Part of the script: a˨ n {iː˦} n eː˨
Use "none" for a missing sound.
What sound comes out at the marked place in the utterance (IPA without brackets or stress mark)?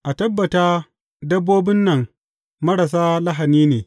iː˦